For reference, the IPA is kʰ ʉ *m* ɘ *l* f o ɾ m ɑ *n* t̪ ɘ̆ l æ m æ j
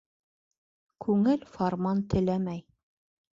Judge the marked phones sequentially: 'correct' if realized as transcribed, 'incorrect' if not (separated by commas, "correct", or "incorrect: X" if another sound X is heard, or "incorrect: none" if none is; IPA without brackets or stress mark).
incorrect: ŋ, correct, correct